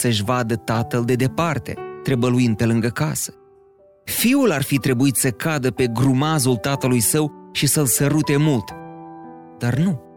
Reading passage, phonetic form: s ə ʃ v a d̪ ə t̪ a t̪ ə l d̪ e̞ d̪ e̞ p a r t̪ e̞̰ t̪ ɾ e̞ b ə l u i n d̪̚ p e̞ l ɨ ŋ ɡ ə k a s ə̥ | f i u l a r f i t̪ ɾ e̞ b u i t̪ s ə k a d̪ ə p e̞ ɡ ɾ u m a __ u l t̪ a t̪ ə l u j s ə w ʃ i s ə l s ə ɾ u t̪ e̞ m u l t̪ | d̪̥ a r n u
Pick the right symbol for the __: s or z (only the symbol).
z